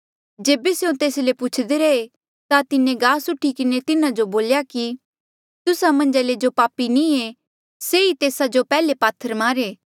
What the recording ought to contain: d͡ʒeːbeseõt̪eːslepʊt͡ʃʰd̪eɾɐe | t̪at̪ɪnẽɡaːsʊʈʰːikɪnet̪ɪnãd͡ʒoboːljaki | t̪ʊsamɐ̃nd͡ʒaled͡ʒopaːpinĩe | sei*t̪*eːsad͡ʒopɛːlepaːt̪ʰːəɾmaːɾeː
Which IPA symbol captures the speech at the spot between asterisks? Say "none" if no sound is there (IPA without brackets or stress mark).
t̪